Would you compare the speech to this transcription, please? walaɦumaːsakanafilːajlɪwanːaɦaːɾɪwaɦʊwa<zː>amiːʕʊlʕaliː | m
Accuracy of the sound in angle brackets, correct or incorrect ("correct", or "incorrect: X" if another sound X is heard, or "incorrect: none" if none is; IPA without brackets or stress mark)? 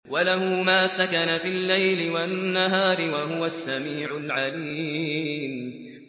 incorrect: sː